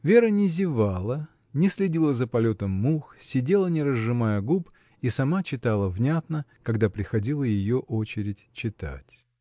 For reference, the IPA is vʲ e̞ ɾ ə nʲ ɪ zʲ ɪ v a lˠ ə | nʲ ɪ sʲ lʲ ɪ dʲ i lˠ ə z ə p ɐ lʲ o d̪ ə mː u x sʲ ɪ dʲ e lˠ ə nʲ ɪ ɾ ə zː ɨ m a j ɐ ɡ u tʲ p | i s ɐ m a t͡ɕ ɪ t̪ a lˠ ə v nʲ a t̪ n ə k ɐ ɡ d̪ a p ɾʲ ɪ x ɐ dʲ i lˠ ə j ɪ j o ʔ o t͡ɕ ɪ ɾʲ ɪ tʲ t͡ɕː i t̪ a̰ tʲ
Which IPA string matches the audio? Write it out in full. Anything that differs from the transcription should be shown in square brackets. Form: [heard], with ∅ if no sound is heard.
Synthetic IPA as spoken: vʲ e̞ ɾ ə nʲ ɪ zʲ ɪ v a lˠ ə | nʲ ɪ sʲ lʲ ɪ dʲ i lˠ ə z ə p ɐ lʲ o [t̪] ə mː u x sʲ ɪ dʲ e lˠ ə nʲ ɪ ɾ ə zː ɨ m a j [ə] ɡ u [∅] p | i s ɐ m a t͡ɕ ɪ t̪ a lˠ ə v nʲ a t̪ n ə k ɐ ɡ d̪ a p ɾʲ ɪ x ɐ dʲ i lˠ ə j ɪ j o ʔ o t͡ɕ ɪ ɾʲ ɪ tʲ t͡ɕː [ɪ] t̪ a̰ tʲ